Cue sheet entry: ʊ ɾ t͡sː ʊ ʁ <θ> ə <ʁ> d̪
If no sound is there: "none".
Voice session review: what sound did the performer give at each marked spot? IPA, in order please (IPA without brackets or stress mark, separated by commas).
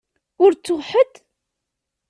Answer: ħ, none